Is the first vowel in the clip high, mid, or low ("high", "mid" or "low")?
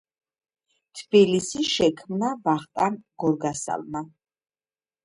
high